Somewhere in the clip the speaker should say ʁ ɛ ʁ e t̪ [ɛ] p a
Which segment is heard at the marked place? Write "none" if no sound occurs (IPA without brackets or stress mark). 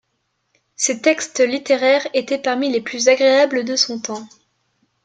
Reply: ɛ